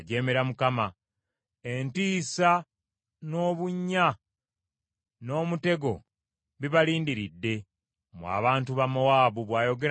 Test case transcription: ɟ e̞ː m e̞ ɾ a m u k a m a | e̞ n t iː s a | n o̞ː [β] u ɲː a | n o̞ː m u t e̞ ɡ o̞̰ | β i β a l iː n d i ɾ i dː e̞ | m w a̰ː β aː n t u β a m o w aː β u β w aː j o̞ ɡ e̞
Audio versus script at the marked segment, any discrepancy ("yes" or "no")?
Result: no